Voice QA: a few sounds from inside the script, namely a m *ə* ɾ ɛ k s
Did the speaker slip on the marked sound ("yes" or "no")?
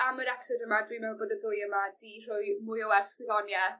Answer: no